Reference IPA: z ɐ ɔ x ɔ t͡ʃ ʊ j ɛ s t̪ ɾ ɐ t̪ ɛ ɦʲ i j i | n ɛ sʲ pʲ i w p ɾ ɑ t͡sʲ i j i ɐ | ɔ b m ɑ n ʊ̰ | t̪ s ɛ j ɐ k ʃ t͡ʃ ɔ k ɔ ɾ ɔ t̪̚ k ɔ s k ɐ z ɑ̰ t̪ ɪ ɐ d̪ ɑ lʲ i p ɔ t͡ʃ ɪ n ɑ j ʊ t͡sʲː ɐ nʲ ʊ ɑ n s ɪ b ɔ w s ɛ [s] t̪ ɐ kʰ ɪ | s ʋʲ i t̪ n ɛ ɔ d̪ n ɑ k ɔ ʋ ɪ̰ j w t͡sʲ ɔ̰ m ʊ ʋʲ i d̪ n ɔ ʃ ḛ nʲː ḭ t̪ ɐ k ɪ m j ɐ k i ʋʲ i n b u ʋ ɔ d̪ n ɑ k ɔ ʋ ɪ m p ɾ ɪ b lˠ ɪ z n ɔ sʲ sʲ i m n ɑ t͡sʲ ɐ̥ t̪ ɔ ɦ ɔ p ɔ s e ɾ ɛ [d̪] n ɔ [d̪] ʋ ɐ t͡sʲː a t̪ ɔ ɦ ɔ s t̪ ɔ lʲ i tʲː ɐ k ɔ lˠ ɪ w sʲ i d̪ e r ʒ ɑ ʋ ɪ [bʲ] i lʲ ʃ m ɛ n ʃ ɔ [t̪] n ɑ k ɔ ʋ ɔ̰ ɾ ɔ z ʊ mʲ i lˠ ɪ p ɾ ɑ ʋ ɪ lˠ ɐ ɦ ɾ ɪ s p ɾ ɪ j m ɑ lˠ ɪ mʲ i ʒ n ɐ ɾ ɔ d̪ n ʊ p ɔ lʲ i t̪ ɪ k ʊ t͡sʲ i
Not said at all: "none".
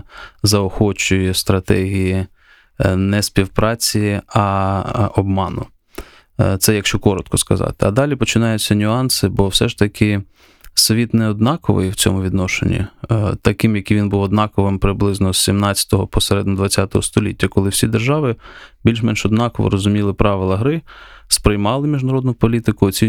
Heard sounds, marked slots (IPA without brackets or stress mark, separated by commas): ʃ, d̪, d̪, bʲ, d̪